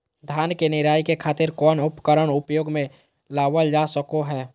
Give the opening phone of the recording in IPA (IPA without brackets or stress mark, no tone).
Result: d̪ʱ